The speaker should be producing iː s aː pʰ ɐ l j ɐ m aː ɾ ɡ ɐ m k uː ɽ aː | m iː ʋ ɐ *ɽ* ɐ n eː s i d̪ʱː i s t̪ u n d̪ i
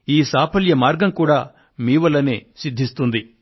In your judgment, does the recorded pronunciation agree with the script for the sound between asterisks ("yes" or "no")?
no